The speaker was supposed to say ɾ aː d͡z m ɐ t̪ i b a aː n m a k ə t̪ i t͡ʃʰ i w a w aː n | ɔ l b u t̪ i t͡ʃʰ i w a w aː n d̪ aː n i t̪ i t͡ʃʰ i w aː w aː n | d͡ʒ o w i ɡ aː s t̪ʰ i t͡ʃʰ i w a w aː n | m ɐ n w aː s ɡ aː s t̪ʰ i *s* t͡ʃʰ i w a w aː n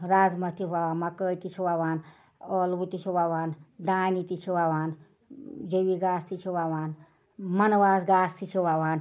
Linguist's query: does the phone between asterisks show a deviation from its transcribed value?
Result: yes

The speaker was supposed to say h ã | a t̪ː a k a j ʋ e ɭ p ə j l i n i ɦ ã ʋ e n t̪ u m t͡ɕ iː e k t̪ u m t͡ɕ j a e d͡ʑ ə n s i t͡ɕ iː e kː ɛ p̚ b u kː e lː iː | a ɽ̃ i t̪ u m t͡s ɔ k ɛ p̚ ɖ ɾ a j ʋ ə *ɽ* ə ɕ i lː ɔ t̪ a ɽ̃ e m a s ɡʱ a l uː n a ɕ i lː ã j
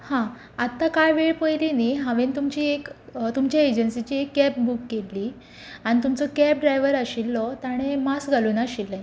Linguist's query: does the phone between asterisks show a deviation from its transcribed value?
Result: yes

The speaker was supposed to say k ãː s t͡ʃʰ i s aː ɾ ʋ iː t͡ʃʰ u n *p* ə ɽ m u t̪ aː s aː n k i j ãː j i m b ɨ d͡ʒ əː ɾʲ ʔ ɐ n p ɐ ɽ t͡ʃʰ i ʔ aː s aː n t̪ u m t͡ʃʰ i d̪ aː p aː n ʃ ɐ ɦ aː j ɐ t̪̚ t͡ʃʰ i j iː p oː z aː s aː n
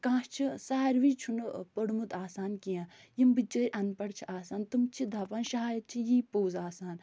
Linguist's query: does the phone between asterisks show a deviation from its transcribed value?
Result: no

